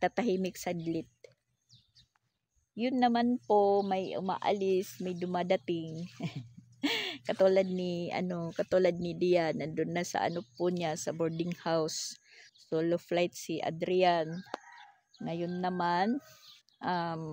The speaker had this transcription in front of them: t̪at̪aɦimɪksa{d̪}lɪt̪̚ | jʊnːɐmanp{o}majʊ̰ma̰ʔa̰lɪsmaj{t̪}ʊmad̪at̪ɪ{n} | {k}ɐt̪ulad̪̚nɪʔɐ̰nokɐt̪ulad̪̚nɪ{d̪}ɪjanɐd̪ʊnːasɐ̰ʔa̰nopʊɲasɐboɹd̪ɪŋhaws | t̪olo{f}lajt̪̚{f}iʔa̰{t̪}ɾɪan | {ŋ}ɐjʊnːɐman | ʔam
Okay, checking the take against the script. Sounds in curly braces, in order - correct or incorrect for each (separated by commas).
correct, correct, incorrect, incorrect, correct, correct, correct, incorrect, incorrect, correct